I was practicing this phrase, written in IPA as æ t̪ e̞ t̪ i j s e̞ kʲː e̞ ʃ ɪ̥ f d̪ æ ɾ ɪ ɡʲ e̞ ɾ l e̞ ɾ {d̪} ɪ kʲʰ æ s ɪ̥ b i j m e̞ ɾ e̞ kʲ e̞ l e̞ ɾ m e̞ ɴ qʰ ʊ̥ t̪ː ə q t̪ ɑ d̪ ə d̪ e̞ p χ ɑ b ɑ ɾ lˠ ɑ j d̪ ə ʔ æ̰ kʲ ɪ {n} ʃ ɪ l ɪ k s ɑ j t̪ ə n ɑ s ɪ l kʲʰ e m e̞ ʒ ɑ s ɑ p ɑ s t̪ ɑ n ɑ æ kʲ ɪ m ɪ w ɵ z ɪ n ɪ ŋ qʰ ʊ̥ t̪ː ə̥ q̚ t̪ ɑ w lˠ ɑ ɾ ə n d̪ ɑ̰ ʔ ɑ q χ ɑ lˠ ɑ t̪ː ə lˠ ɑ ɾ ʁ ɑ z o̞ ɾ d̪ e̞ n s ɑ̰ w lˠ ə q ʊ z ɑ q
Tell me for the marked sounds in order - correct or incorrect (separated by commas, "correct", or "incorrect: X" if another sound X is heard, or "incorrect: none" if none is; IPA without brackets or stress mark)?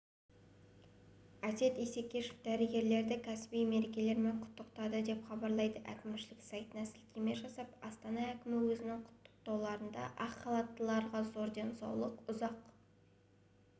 correct, incorrect: m